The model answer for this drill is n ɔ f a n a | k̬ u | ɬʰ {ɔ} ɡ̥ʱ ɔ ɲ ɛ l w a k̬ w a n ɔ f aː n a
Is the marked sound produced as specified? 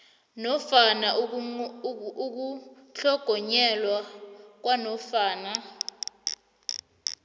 yes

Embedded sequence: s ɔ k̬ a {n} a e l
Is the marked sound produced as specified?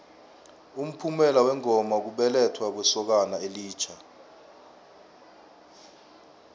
yes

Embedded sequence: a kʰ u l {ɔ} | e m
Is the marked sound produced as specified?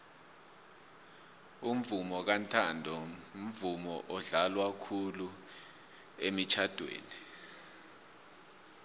no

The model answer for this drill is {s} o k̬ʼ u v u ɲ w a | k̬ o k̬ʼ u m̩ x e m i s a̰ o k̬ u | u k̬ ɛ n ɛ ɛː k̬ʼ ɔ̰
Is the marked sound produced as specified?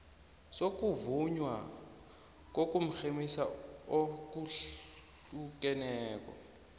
yes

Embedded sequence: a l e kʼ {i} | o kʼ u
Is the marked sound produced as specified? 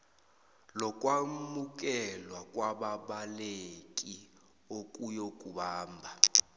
yes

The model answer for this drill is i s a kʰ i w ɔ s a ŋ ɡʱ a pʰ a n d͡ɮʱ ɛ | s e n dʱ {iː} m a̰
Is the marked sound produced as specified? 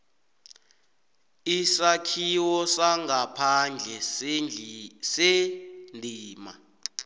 yes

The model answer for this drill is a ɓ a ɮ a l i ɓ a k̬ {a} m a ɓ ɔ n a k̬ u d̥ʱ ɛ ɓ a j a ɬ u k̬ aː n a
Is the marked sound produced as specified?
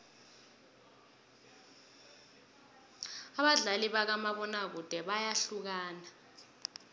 yes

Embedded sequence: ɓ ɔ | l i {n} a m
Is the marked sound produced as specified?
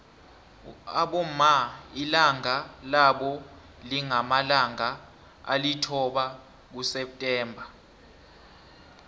no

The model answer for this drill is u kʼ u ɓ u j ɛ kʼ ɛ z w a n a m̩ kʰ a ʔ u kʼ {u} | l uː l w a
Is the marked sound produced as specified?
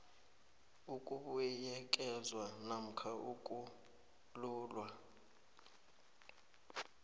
yes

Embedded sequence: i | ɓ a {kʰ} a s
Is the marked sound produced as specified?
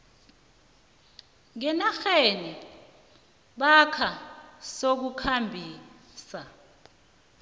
yes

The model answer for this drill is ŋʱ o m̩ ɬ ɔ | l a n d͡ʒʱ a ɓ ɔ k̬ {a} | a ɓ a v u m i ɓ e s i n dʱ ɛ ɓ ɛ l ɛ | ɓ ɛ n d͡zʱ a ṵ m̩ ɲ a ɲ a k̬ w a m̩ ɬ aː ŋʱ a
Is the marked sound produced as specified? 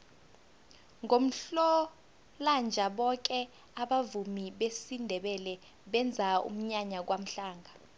no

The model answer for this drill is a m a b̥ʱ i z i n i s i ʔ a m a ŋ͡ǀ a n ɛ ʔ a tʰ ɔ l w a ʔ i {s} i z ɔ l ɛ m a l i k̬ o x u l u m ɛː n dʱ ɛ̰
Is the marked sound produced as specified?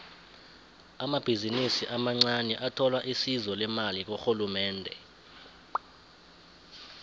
yes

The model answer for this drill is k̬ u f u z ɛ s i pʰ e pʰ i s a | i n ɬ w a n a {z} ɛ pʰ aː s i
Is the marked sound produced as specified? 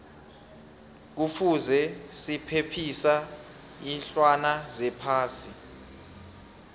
yes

